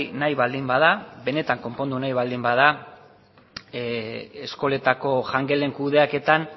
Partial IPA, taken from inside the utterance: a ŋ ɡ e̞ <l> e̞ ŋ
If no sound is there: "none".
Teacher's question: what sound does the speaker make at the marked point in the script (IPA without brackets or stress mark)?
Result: l